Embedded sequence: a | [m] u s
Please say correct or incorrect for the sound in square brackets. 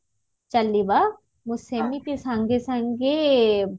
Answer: correct